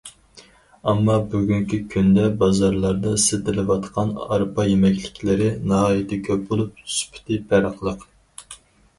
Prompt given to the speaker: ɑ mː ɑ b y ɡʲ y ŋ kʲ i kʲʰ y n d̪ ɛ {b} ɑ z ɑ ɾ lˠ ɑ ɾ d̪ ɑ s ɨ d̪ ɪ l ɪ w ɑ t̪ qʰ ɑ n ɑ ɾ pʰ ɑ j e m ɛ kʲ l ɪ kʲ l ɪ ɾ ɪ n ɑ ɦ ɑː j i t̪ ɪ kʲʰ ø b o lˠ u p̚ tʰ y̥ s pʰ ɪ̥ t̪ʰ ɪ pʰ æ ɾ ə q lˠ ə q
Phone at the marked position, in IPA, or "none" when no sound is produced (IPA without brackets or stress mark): b